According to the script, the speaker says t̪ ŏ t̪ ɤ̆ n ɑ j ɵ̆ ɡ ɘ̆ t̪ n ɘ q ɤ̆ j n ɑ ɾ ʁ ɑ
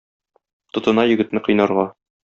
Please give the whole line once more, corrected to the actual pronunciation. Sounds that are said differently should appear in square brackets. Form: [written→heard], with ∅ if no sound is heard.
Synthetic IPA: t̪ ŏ t̪ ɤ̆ n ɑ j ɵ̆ ɡ ɘ̆ t̪ n ɘ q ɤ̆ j n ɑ ɾ ʁ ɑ